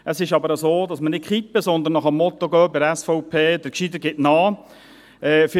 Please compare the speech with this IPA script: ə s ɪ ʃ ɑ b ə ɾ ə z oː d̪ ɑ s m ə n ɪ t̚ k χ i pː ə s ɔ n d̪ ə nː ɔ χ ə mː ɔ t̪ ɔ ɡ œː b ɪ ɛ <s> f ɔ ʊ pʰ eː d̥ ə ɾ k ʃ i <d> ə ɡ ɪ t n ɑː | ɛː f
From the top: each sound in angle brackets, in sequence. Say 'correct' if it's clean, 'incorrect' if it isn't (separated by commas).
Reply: correct, correct